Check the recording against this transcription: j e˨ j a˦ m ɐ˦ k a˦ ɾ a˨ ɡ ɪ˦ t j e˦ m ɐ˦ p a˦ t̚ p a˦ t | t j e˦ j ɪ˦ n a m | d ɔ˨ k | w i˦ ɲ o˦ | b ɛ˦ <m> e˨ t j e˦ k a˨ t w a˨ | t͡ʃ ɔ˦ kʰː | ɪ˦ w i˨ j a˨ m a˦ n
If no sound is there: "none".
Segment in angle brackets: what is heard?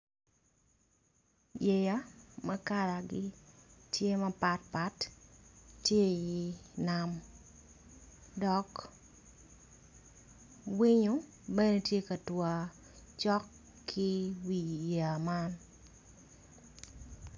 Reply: n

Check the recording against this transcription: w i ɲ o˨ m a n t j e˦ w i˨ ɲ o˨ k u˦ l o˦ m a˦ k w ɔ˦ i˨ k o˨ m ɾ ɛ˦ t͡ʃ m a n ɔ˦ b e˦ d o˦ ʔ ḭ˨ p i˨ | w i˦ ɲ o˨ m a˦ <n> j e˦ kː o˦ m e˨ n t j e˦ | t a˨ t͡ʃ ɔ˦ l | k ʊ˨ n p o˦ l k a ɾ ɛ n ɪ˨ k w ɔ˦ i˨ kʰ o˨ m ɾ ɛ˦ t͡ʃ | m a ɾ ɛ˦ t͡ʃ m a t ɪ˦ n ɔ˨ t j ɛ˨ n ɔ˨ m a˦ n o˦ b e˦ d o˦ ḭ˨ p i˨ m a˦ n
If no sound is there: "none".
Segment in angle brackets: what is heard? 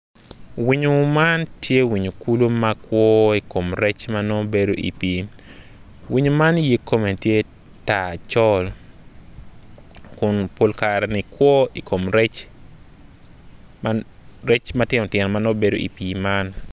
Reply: n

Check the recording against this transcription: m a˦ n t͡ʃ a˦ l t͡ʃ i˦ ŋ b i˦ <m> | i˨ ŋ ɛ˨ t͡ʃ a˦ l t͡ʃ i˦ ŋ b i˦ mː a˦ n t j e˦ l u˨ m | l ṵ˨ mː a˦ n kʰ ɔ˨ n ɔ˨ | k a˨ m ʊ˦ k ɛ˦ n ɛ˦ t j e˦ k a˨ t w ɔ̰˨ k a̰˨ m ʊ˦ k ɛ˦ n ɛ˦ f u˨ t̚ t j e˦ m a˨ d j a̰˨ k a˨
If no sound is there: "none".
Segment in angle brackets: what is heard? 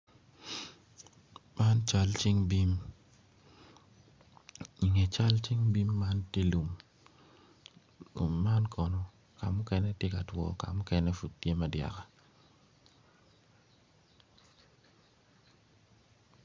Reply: m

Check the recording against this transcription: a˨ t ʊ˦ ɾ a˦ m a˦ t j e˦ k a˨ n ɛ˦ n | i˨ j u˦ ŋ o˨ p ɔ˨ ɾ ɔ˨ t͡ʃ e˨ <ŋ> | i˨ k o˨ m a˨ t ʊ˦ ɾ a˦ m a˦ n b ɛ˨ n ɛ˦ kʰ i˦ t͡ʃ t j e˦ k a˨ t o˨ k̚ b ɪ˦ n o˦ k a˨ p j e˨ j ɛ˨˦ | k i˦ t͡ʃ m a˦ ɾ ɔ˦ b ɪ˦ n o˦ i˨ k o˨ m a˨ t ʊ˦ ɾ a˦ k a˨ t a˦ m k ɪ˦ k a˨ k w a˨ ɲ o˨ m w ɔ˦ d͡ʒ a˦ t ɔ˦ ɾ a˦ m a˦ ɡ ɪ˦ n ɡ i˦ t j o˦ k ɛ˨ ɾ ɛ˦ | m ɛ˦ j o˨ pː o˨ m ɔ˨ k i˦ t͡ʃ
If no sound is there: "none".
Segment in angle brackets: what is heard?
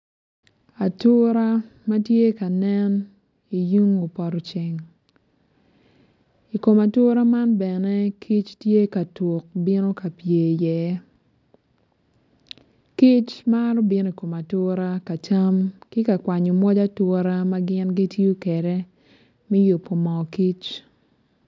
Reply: ŋ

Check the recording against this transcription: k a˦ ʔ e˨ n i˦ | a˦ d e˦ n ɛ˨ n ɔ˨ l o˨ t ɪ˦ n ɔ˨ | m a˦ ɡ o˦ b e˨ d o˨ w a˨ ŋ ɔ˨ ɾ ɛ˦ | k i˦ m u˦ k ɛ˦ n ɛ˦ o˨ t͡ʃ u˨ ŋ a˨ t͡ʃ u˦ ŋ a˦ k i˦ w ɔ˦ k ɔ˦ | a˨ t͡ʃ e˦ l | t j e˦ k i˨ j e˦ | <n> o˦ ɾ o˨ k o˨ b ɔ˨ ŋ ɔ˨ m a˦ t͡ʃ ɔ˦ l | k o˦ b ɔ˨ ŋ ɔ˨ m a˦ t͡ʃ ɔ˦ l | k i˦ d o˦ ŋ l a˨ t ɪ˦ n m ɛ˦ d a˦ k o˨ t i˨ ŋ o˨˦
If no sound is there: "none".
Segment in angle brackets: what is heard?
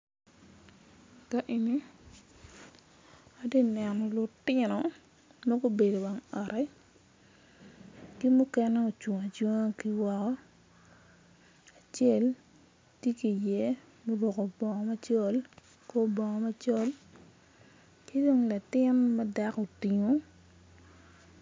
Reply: m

